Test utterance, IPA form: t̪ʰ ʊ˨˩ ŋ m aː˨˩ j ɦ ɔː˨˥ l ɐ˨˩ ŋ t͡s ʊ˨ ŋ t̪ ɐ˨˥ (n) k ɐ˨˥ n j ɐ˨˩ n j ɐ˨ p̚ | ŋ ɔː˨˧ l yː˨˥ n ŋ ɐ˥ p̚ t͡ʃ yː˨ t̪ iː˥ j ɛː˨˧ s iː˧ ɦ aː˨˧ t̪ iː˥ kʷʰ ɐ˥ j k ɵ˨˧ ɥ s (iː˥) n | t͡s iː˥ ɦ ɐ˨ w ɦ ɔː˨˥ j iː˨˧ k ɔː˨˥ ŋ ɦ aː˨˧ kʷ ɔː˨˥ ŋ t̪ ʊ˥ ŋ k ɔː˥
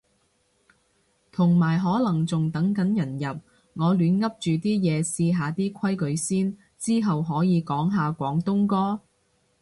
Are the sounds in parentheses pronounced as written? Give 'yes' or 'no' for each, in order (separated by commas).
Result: no, yes